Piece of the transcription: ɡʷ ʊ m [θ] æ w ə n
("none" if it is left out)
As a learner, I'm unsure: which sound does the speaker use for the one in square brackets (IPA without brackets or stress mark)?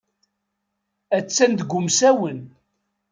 s